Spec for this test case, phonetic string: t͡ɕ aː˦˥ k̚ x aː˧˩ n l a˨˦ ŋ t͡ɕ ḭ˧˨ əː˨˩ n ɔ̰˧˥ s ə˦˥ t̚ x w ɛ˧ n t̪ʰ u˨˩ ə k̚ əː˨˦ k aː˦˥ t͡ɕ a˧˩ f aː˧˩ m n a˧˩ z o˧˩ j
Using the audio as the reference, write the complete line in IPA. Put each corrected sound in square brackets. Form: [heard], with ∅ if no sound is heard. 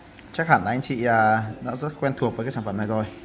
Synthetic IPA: t͡ɕ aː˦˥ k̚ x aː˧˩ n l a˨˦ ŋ t͡ɕ ḭ˧˨ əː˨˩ n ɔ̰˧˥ [z] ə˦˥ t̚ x w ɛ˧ n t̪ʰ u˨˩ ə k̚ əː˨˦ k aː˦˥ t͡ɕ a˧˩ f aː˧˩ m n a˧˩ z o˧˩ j